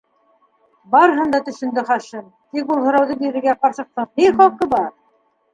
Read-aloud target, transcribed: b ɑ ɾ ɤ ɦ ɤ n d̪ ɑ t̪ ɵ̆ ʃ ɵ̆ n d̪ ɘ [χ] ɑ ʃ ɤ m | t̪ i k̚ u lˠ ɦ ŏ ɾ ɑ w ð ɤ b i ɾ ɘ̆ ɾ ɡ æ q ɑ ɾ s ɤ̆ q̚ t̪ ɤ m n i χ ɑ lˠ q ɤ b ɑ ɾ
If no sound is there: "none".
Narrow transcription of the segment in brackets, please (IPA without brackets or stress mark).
χ